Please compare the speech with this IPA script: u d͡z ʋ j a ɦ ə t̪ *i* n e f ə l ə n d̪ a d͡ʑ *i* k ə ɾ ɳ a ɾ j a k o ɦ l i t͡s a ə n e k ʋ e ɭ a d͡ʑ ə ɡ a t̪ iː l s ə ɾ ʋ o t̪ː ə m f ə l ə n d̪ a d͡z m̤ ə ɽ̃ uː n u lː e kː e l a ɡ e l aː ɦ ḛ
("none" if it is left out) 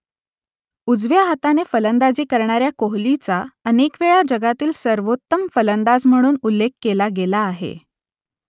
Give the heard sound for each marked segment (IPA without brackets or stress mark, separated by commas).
a, iː